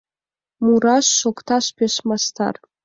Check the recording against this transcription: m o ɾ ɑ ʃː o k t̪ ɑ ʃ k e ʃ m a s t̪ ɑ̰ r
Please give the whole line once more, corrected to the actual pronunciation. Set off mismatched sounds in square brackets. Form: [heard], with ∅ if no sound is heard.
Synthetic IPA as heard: m [u] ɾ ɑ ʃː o k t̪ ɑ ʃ [p] e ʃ m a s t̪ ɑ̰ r